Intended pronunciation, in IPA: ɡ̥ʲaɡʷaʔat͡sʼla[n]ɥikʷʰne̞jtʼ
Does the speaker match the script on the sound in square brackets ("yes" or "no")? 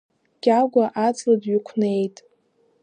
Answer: no